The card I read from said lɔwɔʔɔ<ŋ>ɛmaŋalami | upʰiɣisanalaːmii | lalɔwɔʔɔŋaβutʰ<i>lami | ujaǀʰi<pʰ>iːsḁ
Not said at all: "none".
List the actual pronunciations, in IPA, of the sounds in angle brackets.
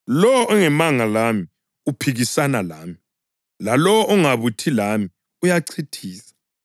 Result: ŋ, i, tʰ

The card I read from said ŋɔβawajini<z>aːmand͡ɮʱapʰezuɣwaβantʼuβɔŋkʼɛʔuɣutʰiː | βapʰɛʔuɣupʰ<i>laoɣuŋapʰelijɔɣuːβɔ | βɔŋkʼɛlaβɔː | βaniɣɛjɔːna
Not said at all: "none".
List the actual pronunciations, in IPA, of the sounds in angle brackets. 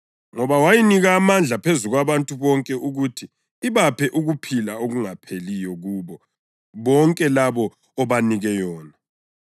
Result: ɣ, i

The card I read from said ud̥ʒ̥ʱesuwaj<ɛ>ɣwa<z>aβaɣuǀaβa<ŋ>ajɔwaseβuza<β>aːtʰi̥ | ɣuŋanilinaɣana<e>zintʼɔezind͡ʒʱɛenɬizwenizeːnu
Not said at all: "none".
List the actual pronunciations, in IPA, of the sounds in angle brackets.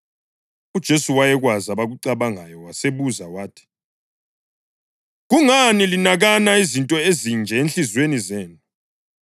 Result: ɛ, z, ŋ, w, i

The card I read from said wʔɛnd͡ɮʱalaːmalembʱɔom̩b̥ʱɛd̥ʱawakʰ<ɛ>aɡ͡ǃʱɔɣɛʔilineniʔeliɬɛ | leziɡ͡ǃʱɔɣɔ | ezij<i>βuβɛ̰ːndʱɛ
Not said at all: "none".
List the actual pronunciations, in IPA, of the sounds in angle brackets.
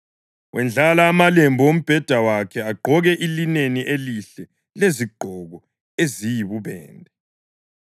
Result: ɛ, i

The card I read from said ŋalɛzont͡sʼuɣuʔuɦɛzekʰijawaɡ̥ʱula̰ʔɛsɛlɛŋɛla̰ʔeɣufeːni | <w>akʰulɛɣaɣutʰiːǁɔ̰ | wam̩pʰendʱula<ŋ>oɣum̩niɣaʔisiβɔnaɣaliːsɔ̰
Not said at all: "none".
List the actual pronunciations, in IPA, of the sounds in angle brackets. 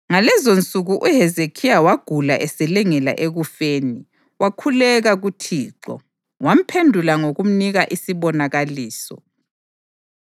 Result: w, ŋ

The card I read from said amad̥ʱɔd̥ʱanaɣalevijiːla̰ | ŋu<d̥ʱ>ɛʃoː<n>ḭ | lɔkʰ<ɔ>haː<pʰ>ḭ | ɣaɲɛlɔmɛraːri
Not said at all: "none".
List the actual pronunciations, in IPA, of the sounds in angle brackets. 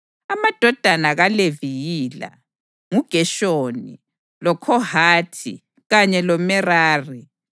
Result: ɡ̥ʱ, n, ɔ, tʰ

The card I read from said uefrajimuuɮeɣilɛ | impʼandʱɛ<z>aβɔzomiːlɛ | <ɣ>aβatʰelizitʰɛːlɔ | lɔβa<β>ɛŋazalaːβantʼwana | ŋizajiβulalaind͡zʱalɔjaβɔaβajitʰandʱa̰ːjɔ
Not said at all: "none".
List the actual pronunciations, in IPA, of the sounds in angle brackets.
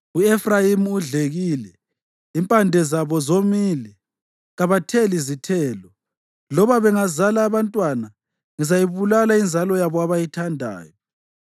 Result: z, ɣ, β

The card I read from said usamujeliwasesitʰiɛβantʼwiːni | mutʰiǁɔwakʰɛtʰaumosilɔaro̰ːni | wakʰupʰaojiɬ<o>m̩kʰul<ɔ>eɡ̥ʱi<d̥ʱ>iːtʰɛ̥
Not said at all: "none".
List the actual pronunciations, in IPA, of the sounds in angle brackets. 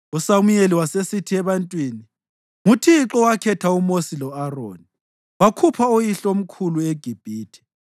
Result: o, u, b̥ʱ

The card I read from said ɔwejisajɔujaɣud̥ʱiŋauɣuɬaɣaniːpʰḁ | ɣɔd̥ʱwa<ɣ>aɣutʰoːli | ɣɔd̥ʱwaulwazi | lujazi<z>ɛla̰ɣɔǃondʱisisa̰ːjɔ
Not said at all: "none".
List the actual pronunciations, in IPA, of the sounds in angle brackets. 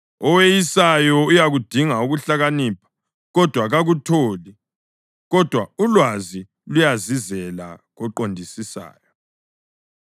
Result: ɣ, z

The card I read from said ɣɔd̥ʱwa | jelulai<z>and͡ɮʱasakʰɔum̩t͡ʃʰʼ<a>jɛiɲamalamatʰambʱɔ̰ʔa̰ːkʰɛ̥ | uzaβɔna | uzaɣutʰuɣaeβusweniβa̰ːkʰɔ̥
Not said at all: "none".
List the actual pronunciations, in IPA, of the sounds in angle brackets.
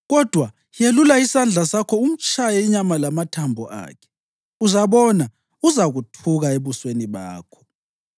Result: s, a

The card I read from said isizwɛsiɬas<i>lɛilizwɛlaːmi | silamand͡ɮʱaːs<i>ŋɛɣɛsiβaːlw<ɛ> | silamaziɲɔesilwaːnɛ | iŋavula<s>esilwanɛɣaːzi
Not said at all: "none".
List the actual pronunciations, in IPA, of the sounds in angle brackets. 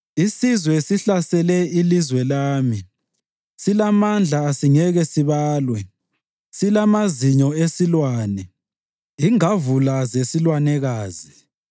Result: ɛ, i, ɛ, z

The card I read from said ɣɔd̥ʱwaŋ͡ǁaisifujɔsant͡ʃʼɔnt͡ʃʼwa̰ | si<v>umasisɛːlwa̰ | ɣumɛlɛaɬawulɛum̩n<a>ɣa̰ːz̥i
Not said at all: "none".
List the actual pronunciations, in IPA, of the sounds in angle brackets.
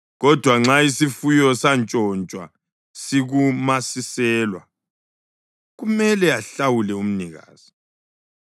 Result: ɣ, i

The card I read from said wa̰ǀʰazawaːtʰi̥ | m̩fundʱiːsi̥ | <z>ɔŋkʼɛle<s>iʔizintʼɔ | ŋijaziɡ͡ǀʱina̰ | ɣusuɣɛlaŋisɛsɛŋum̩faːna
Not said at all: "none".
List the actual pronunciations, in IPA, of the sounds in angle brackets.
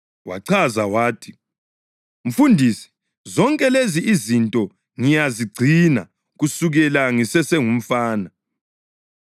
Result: z, z

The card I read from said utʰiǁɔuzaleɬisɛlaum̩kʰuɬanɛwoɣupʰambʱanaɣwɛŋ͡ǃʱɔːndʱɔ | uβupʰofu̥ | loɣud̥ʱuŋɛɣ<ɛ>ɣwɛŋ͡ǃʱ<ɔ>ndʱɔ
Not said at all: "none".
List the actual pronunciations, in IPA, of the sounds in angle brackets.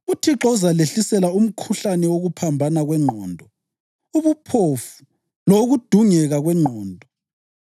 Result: a, ɔː

